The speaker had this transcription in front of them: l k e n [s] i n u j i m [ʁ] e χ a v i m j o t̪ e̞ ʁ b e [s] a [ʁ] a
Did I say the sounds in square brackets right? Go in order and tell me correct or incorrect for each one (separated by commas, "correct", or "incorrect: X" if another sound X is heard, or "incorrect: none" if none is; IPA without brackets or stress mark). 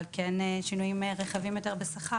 incorrect: ʃ, correct, correct, incorrect: χ